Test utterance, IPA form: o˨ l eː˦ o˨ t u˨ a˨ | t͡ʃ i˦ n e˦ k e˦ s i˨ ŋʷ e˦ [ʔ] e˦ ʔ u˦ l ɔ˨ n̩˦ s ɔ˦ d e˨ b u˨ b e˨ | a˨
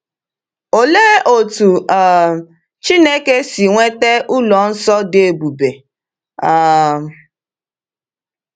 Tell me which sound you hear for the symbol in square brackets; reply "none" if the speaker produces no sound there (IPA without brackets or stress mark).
t